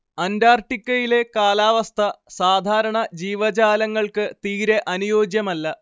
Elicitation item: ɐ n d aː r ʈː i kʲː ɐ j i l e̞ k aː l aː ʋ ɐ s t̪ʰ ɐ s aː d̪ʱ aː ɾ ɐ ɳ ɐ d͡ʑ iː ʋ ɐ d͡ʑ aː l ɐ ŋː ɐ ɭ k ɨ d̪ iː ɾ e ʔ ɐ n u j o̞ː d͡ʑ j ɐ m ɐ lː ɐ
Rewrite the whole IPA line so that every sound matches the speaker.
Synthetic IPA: ɐ n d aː r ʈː i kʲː ɐ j i l e̞ k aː l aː ʋ ɐ s t̪ʰ ɐ s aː d̪ʱ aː ɾ ɐ ɳ ɐ d͡ʑ iː ʋ ɐ d͡ʑ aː l ɐ ŋː ɐ ɭ k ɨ t̪ iː ɾ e ʔ ɐ n u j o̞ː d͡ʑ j ɐ m ɐ lː ɐ